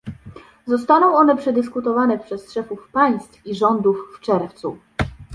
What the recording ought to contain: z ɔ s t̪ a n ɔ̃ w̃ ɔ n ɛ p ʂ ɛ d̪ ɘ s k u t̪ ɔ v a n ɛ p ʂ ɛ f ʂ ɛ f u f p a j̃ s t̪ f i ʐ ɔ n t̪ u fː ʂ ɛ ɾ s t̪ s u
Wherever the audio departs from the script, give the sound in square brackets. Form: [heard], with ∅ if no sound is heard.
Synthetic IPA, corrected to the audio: z ɔ s t̪ a n ɔ̃ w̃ ɔ n ɛ p ʂ ɛ d̪ ɘ s k u t̪ ɔ v a n ɛ p ʂ ɛ [s] ʂ ɛ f u f p a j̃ s t̪ f i ʐ ɔ n [d̪] u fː [t͡ʂ] ɛ ɾ [f] t̪ s u